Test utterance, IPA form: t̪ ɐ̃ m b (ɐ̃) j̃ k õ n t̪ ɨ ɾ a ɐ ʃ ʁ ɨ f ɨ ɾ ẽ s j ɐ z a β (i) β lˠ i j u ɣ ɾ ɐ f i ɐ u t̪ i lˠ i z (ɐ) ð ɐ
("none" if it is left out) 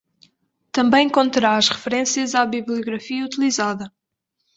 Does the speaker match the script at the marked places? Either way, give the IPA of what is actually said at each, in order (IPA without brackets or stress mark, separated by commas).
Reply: ɐ̃, i, a